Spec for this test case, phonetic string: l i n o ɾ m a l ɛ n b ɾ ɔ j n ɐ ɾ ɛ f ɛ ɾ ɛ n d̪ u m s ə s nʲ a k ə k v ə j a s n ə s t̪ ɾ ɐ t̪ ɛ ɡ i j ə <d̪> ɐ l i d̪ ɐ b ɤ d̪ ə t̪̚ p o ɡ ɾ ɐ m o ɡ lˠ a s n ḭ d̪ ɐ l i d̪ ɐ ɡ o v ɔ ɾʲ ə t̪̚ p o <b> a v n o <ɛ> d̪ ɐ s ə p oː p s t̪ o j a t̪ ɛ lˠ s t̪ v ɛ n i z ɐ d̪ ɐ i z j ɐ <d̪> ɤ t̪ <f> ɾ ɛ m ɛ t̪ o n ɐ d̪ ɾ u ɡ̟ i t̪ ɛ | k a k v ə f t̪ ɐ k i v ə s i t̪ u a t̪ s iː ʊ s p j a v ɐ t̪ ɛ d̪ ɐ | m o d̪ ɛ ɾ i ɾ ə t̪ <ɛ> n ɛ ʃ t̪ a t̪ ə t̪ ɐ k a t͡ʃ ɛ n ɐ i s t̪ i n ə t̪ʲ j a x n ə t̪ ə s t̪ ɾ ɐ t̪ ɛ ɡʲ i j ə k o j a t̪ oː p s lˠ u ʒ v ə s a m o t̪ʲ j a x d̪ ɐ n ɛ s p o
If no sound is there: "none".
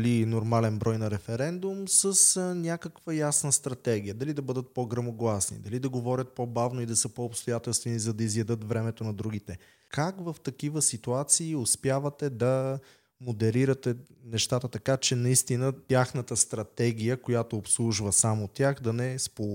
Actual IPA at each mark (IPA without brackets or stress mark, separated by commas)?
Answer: d̪, b, i, d̪, v, ɛ